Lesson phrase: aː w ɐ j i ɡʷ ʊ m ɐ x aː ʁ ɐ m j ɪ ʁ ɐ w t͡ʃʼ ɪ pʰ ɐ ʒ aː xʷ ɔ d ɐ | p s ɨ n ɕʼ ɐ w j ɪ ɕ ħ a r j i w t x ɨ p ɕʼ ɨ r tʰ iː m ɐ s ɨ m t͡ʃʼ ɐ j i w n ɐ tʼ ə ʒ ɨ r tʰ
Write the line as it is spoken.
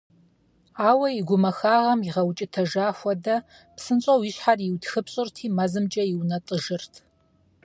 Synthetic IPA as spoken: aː w ɐ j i ɡʷ ʊ m ɐ x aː ʁ ɐ m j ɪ ʁ ɐ w t͡ʃʼ ɪ tʰ ɐ ʒ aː xʷ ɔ d ɐ | p s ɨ n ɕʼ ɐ w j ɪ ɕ ħ a r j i w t x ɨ p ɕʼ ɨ r tʰ iː m ɐ z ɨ m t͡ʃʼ ɐ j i w n ɐ tʼ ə ʒ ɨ r tʰ